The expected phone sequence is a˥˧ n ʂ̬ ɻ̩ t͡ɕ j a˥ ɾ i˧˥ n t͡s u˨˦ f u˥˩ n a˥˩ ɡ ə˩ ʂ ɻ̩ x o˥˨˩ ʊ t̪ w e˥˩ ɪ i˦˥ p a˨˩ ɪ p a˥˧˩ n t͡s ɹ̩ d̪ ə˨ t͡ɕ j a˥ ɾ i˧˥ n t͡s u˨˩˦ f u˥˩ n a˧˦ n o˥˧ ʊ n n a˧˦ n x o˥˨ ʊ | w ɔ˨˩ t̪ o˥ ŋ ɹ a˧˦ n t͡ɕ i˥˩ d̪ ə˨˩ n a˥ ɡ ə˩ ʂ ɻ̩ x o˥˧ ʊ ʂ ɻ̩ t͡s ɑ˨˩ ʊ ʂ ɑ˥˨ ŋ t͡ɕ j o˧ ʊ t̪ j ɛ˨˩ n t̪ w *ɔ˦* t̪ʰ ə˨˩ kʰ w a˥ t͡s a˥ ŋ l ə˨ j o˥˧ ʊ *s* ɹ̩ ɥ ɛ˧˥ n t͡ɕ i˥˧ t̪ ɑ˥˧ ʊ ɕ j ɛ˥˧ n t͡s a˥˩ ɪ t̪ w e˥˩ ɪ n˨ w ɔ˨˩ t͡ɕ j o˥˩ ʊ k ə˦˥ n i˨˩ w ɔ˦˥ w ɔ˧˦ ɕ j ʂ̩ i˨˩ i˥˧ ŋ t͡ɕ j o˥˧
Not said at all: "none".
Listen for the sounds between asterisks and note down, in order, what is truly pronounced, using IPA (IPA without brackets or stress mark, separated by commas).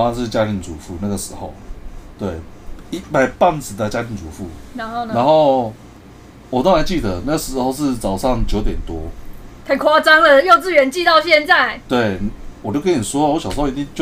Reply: ɔ˦, t͡s